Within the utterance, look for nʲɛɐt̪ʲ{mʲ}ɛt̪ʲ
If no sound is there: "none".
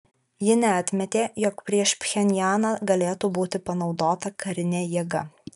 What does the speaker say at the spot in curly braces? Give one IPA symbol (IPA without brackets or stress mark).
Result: mʲ